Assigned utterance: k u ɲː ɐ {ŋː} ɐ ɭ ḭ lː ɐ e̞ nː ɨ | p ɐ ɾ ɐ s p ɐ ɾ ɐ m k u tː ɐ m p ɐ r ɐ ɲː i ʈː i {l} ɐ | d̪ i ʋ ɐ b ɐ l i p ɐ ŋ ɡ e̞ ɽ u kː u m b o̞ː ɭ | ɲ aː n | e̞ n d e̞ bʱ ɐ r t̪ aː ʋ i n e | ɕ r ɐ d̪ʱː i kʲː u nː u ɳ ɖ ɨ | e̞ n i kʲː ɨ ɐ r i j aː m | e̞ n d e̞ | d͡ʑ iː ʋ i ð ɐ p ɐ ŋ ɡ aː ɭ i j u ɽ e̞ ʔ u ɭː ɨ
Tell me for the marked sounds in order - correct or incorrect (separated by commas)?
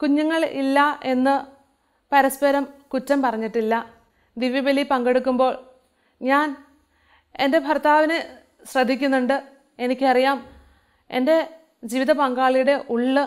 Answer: correct, incorrect